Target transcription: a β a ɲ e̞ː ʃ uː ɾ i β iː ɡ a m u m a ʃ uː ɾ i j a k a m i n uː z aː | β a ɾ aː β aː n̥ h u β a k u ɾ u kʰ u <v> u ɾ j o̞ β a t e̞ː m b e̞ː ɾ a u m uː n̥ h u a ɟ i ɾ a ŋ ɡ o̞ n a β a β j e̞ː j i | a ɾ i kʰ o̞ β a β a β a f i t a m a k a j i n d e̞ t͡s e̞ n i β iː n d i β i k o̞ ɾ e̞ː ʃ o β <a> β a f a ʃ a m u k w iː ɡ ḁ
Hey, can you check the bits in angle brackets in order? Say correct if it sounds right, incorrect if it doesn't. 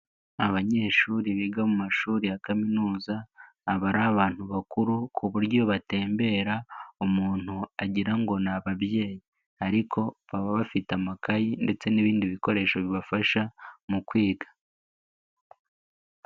incorrect, incorrect

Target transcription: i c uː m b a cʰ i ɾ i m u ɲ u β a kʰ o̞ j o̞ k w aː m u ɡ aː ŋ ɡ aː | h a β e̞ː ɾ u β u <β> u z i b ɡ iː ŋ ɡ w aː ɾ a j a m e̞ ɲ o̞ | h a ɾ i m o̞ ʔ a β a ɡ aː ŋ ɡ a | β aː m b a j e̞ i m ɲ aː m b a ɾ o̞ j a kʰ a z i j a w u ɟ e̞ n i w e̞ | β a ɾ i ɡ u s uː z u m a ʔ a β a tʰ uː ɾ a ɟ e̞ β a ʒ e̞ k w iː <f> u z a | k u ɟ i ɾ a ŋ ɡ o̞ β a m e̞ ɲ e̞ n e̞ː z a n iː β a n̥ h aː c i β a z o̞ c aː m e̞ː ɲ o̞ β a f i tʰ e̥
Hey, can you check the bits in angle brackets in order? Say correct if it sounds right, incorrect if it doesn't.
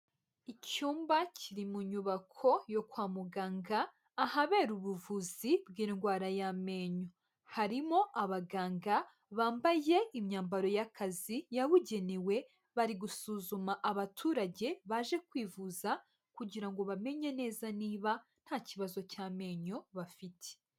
incorrect, incorrect

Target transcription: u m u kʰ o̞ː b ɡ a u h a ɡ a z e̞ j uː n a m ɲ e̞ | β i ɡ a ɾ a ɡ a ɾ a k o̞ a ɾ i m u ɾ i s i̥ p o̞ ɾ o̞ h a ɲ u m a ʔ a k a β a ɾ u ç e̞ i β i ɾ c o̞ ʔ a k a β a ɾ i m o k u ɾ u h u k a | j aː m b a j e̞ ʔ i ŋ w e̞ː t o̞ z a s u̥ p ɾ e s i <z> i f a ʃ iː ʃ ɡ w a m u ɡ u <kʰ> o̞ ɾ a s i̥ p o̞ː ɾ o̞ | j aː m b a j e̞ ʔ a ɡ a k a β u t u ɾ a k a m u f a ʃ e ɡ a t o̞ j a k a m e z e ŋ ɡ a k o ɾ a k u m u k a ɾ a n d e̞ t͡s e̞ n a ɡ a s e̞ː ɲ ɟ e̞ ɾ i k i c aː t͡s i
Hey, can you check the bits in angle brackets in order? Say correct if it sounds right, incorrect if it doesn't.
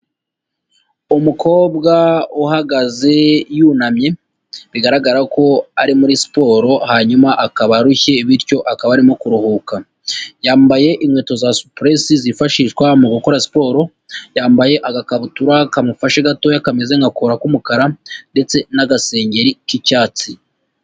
correct, incorrect

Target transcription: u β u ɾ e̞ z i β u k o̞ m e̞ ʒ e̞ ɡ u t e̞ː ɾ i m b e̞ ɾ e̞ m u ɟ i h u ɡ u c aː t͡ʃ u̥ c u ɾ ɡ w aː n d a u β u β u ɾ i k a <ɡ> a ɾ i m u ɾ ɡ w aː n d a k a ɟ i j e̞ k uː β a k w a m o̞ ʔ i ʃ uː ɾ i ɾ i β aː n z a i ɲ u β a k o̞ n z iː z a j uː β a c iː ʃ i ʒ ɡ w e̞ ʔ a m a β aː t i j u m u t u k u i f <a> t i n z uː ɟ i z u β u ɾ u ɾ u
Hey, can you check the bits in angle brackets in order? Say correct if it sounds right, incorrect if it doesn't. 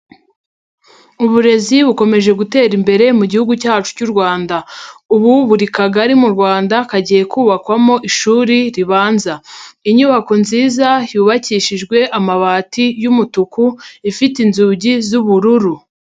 correct, incorrect

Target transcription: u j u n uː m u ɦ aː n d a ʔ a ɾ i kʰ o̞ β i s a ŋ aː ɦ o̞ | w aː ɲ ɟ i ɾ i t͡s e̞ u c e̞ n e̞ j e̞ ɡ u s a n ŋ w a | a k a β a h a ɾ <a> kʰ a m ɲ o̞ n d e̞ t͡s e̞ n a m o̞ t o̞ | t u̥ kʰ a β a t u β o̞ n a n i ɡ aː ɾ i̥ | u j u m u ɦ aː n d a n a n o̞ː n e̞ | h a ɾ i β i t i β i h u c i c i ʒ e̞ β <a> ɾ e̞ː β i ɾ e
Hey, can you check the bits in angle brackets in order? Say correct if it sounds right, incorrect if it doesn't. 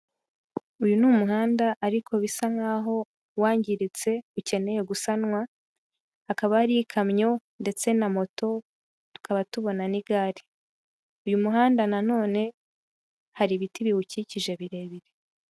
incorrect, incorrect

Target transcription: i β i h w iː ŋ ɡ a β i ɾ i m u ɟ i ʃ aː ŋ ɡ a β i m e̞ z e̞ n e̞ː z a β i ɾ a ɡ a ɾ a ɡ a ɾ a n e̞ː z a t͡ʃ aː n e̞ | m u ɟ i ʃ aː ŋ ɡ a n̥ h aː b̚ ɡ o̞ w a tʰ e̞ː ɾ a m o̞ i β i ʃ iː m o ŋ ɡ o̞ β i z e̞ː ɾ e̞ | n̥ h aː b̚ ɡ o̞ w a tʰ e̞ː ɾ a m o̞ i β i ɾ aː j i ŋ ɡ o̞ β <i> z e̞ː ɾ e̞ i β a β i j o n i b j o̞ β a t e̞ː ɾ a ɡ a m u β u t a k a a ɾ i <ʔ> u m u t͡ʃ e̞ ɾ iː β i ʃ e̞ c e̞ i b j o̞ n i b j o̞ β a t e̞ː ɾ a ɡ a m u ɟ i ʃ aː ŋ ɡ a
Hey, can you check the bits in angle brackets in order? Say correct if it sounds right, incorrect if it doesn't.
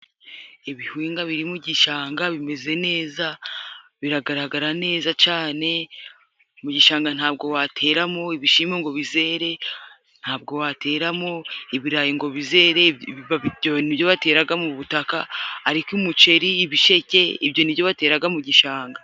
correct, incorrect

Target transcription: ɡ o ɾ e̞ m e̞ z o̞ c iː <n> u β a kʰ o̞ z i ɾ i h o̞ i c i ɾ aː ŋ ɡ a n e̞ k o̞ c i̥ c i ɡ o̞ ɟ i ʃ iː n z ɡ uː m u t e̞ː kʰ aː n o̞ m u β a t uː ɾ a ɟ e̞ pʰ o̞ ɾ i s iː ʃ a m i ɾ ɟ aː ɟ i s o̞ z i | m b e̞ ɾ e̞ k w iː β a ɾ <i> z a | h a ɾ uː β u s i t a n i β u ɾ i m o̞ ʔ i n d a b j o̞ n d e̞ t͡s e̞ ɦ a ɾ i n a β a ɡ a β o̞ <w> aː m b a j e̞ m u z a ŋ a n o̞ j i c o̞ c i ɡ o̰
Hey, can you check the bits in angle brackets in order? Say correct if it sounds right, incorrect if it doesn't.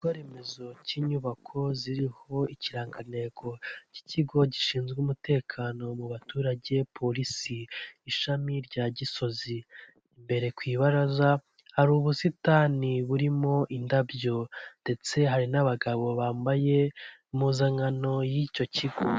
incorrect, incorrect, incorrect

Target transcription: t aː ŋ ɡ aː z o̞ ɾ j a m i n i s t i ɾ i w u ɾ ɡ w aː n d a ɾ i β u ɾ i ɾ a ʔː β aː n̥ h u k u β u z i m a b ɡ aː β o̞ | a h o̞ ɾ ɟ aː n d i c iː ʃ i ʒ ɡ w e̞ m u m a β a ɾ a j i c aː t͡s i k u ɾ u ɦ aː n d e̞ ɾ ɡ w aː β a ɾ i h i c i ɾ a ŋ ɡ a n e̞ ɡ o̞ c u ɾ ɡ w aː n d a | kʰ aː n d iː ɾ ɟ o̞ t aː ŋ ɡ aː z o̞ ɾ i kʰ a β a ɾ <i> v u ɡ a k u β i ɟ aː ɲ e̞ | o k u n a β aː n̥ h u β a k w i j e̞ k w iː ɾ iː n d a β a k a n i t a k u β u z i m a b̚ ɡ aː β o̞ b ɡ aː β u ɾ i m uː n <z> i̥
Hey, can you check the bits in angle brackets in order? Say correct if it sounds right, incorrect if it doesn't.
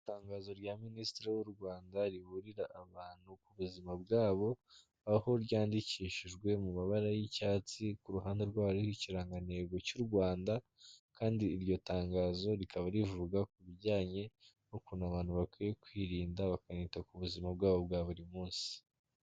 correct, incorrect

